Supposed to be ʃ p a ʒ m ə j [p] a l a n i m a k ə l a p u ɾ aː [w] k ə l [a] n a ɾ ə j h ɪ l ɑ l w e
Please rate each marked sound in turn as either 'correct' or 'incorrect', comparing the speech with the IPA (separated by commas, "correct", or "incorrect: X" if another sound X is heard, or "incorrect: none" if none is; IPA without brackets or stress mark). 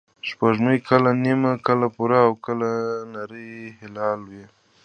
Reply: incorrect: k, correct, correct